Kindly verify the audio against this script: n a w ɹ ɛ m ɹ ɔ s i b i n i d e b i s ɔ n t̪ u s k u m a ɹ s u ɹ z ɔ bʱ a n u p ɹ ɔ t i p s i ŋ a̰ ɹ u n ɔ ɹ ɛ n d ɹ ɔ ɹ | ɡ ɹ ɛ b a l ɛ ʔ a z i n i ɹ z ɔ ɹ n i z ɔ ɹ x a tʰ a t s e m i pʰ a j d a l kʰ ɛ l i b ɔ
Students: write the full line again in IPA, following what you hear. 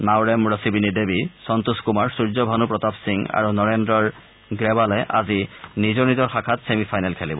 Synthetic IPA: n a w ɹ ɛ m ɹ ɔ s i b i n i d e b i s ɔ n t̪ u s k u m a ɹ s u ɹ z ɔ bʱ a n u p ɹ ɔ t a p s i ŋ a̰ ɹ u n ɔ ɹ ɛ n d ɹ ɔ ɹ | ɡ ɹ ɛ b a l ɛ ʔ a z i n i z ɔ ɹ n i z ɔ ɹ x a kʰ a t s e m i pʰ a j n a l kʰ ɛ l i b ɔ